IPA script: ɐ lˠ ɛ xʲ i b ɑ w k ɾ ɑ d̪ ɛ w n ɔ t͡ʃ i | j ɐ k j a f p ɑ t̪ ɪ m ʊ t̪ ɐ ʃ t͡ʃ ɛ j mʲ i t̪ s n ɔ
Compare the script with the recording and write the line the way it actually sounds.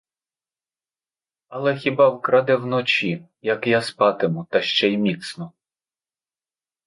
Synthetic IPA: ɐ lˠ ɛ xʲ i b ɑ w k ɾ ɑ d̪ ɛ w n ɔ t͡ʃ i | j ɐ k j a s p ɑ t̪ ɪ m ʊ t̪ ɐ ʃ t͡ʃ ɛ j mʲ i t̪ s n ɔ